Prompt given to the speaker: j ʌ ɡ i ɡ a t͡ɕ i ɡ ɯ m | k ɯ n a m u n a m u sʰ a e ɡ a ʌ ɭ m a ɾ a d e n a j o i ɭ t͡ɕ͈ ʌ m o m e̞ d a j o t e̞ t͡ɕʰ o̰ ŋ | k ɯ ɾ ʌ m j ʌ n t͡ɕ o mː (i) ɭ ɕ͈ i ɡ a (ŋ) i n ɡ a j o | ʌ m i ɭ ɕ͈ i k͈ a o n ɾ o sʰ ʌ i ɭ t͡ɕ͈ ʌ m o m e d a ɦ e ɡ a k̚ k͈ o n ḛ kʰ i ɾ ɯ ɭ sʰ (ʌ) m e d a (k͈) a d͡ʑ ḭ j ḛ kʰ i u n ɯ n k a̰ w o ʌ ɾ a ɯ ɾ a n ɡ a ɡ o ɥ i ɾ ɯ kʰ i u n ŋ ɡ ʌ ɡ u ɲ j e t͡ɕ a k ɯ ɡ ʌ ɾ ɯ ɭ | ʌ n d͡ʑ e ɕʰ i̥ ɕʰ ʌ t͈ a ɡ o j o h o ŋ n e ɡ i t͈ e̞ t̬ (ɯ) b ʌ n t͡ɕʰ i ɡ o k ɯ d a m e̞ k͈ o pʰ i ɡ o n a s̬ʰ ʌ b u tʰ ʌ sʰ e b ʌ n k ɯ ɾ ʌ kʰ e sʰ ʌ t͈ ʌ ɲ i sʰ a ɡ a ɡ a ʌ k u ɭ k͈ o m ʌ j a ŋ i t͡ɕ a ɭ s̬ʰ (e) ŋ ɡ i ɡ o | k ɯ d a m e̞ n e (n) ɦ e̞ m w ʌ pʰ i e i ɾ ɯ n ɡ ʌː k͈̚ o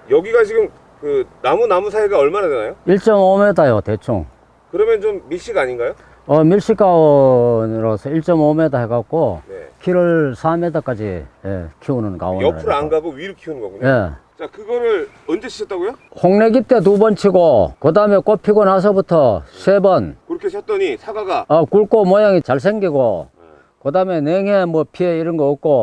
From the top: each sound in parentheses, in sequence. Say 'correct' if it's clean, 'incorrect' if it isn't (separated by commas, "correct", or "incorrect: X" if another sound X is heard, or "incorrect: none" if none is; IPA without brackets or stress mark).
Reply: correct, incorrect: ɲ, incorrect: a, correct, incorrect: u, correct, incorrect: ŋ